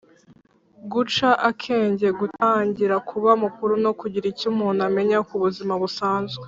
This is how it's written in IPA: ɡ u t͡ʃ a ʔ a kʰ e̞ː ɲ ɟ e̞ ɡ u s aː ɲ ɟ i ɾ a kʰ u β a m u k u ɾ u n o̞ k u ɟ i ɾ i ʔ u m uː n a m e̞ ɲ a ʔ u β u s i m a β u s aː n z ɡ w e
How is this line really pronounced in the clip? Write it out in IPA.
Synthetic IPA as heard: ɡ u t͡ʃ a ʔ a kʰ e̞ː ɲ ɟ e̞ ɡ u t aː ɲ ɟ i ɾ a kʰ u β a m u k u ɾ u n o̞ k u ɟ i ɾ i c u m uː n a m e̞ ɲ a k u β u z i m a β u s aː n z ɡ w e